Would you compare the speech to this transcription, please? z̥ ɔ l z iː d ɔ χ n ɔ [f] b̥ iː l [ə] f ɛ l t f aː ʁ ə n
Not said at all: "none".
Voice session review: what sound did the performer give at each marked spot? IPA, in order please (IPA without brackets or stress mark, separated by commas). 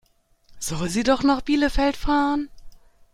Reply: χ, ə